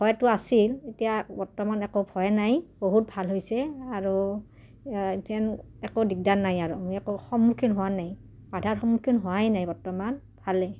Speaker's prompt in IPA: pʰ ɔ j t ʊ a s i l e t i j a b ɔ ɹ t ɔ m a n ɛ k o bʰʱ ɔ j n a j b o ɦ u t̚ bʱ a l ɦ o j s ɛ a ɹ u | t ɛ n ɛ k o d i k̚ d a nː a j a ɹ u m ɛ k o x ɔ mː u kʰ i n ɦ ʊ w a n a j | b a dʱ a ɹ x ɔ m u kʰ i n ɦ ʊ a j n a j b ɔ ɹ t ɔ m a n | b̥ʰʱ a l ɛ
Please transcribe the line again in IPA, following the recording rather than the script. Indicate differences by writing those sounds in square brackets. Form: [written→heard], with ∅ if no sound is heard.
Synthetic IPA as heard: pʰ ɔ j t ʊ a s i l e t i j a b ɔ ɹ t ɔ m a n ɛ k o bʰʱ ɔ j n a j b o ɦ u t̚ bʱ a l ɦ o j s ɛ a ɹ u | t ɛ n ɛ k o d i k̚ d a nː a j a ɹ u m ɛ k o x ɔ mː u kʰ i n ɦ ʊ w a n a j | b a dʱ a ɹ x ɔ m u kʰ i n ɦ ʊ a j n a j b ɔ ɹ t ɔ m a n | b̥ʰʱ a l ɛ

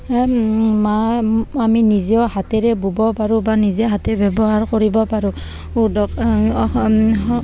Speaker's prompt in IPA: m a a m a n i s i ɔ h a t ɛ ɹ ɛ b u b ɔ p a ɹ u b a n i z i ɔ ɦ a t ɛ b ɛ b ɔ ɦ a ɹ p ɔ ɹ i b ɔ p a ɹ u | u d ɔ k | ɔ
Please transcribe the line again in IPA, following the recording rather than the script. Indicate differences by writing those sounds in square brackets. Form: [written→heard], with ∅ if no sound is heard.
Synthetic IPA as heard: m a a m [a→i] n i [s→z] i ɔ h a t ɛ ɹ ɛ b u b ɔ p a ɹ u b a n i z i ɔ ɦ a t ɛ b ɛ b ɔ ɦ a ɹ [p→k] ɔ ɹ i b ɔ p a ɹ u | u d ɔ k | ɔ

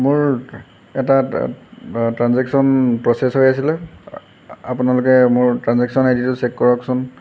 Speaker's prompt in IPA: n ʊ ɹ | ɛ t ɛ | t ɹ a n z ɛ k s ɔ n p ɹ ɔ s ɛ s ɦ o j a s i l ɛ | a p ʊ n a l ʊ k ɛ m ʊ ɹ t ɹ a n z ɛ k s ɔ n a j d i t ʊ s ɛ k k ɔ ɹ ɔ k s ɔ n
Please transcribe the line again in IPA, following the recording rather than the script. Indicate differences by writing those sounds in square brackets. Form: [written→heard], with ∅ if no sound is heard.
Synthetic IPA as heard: [n→m] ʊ ɹ | ɛ t [ɛ→a] | t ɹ a n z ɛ k s ɔ n p ɹ ɔ s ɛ s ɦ o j a s i l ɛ | a p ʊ n a l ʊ k ɛ m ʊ ɹ t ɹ a n z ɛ k s ɔ n a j d i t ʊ s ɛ k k ɔ ɹ ɔ k s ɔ n

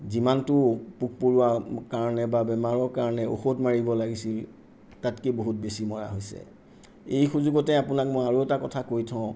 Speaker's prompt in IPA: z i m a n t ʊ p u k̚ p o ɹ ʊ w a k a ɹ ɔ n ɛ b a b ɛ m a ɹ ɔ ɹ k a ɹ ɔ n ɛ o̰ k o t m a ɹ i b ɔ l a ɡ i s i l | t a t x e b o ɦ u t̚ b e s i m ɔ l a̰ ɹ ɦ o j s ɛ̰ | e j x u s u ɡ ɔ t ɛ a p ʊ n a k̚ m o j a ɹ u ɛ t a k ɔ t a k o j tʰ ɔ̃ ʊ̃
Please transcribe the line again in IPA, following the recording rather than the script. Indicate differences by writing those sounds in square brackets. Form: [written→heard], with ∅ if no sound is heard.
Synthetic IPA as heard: z i m a n t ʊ p u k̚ p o ɹ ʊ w a k a ɹ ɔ n ɛ b a b ɛ m a ɹ ɔ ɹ k a ɹ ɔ n ɛ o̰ [k→x] o t m a ɹ i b ɔ l a ɡ i s i l | t a t [x→k] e b o ɦ u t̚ b e s i m ɔ [l→ɹ] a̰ [ɹ→∅] ɦ o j s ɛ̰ | e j x u [s→z] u ɡ ɔ t ɛ a p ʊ n a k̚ m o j a ɹ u ɛ t a k ɔ [t→tʰ] a k o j tʰ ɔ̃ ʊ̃

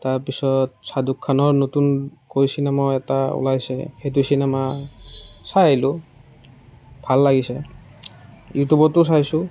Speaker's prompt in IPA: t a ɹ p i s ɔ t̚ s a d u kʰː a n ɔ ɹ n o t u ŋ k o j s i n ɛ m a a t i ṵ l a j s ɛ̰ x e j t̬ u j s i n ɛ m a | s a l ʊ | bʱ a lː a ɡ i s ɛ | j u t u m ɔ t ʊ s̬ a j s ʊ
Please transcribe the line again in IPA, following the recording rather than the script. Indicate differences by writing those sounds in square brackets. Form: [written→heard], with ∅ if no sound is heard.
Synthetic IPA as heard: t a ɹ p i s ɔ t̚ s a d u kʰː a n ɔ ɹ n o t u [ŋ→n] k o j s i n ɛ m a [a→ɛ] t [i→a] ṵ l a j s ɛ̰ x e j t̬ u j s i n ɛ m a | s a l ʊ | bʱ a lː a ɡ i s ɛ | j u t u [m→b] ɔ t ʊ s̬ a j s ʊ

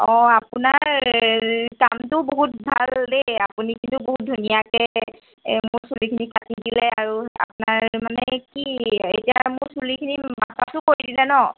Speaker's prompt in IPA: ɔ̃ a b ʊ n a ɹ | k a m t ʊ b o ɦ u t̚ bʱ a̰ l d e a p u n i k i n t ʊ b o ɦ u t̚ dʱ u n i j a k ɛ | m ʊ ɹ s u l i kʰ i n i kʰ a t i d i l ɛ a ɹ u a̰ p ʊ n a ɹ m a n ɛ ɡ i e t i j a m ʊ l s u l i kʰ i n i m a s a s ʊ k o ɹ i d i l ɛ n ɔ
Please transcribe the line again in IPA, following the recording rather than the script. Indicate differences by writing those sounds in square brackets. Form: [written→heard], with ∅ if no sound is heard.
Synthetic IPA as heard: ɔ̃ a [b→p] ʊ n a ɹ | k a m t ʊ b o ɦ u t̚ bʱ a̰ l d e a p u n i k i n t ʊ b o ɦ u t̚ dʱ u n i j a k ɛ | m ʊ ɹ s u l i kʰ i n i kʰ a t i d i l ɛ a ɹ u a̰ p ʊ n a ɹ m a n ɛ [ɡ→k] i e t i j a m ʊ [l→ɹ] s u l i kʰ i n i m a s a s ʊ k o ɹ i d i l ɛ n ɔ

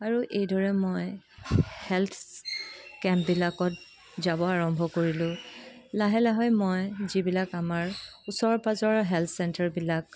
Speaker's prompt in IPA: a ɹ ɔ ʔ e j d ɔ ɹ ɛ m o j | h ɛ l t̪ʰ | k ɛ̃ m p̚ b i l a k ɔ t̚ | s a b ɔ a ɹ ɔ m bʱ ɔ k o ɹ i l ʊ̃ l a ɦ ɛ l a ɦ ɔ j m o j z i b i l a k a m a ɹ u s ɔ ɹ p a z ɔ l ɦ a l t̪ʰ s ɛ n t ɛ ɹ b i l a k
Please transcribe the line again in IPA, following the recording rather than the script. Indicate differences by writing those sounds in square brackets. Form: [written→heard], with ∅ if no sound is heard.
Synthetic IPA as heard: a ɹ [ɔ→u] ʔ e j d ɔ ɹ ɛ m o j | h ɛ l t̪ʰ | k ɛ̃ m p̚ b i l a k ɔ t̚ | [s→z] a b ɔ a ɹ ɔ m bʱ ɔ k o ɹ i l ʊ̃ l a ɦ ɛ l a ɦ ɔ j m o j z i b i l a k a m a ɹ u s ɔ ɹ p a z ɔ [l→ɹ] ɦ [a→ɛ] l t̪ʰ s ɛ n t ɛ ɹ b i l a k

